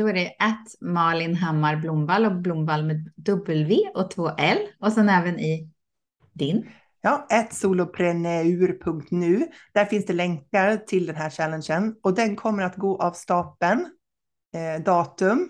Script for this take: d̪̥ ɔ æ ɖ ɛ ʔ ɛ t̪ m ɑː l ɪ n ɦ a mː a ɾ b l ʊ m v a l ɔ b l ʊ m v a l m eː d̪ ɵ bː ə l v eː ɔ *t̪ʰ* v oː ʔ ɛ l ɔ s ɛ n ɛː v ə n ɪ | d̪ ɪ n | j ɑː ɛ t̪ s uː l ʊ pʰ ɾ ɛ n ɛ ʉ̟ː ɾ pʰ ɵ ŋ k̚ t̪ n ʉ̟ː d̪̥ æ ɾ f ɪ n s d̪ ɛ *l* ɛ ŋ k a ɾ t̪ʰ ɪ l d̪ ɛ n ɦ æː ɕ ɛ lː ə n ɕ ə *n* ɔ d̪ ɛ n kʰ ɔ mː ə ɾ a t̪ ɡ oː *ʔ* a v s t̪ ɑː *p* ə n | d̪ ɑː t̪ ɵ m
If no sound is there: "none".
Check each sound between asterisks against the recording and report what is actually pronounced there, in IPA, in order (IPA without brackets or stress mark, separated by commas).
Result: t̪ʰ, l, n, ʔ, p